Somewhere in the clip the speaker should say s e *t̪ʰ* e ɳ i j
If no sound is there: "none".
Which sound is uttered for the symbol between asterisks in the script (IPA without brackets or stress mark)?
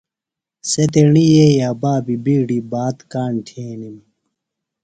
t̪